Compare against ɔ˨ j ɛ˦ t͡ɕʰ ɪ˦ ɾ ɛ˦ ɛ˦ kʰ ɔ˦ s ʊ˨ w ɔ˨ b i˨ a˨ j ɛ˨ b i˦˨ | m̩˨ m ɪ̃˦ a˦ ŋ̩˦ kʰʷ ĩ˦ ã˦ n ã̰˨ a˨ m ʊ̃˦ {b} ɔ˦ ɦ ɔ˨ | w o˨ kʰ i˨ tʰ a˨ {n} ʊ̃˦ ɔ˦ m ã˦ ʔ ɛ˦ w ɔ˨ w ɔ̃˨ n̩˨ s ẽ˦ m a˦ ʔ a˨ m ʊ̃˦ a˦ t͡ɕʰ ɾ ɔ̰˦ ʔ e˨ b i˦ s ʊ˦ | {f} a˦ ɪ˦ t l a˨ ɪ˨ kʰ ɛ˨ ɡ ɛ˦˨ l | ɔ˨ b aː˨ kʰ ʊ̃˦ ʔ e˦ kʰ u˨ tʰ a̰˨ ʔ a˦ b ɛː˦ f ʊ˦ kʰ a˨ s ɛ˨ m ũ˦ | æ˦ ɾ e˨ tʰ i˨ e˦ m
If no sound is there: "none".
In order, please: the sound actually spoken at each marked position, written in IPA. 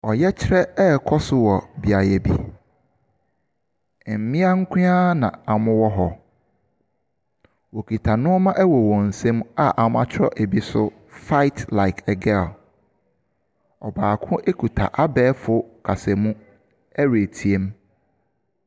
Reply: w, n, f

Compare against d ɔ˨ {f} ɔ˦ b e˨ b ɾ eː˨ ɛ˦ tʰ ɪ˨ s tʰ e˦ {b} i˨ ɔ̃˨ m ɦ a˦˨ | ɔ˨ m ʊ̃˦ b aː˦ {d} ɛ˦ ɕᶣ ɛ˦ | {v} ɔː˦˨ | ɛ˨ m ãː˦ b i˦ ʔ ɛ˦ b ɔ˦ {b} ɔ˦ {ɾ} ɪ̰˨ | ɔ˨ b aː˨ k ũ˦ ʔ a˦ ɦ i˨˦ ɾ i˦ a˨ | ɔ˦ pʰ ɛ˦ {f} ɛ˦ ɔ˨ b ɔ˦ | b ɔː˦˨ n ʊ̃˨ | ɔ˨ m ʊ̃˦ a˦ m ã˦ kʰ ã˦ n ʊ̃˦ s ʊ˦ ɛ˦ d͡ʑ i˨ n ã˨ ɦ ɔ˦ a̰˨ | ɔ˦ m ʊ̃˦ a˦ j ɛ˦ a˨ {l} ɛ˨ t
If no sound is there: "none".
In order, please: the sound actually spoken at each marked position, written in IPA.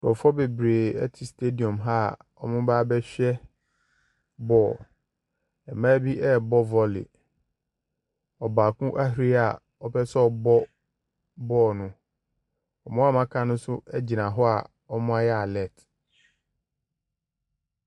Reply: f, d, b, b, v, l, s, l

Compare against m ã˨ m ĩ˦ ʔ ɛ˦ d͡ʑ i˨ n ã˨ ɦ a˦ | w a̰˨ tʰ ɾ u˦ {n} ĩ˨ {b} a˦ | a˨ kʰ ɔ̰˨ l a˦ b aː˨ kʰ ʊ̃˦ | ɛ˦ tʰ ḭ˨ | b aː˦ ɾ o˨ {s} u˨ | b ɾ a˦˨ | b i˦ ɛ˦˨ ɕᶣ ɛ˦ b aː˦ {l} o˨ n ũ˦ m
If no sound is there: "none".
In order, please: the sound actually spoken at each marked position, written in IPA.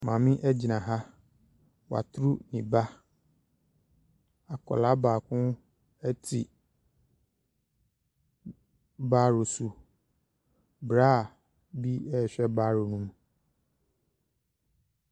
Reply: n, b, s, ɾ

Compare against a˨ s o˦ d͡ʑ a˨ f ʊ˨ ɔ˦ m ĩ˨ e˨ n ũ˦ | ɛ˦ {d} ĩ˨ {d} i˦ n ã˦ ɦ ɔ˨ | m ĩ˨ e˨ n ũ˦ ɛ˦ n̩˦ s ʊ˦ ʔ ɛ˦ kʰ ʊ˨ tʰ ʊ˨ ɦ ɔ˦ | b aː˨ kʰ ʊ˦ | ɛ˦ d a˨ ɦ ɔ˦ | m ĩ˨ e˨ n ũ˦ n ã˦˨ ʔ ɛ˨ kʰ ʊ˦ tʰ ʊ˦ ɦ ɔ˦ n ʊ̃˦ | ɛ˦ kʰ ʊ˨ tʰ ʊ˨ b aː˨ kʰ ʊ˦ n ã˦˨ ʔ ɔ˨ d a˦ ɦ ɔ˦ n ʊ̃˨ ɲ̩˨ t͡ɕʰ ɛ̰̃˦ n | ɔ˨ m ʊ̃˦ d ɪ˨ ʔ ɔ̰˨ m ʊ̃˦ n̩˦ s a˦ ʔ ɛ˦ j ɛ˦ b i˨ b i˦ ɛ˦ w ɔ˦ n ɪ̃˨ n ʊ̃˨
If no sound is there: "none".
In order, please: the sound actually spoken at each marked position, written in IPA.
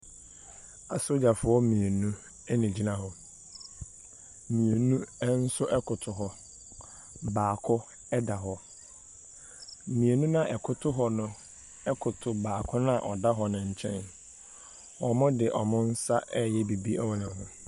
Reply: n, d͡ʑ

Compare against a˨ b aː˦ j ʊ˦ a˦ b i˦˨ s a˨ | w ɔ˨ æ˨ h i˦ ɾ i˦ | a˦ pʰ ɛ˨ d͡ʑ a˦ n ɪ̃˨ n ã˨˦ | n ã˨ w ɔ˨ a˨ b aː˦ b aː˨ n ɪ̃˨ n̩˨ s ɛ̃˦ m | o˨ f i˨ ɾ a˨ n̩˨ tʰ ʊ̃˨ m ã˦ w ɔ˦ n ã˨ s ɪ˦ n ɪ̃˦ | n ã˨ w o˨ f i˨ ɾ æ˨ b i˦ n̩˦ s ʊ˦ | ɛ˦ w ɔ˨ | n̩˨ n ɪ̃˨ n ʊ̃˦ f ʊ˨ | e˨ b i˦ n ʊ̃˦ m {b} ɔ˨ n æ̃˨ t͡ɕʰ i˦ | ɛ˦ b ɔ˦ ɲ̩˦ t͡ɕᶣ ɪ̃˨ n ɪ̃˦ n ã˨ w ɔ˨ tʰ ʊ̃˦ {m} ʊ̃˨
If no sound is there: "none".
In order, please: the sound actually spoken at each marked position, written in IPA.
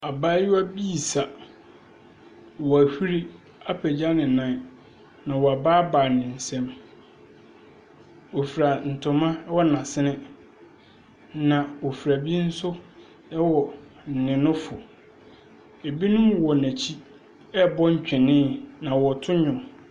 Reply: w, ɲ

